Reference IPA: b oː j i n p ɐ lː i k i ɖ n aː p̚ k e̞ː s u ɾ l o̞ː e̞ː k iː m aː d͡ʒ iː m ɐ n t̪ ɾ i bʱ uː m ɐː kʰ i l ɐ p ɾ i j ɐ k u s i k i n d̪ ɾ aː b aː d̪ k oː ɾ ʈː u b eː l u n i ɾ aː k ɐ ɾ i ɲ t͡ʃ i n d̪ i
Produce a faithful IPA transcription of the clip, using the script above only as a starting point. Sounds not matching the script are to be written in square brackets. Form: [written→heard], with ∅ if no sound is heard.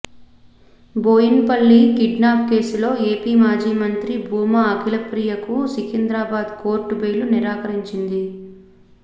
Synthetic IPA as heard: b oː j i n p ɐ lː i k i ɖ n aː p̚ k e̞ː s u [ɾ→∅] l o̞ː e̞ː [k→p] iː m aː d͡ʒ iː m ɐ n t̪ ɾ i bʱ uː m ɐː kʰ i l ɐ p ɾ i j ɐ k u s i k i n d̪ ɾ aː b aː d̪ k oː ɾ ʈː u b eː l u n i ɾ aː k ɐ ɾ i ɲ t͡ʃ i n d̪ i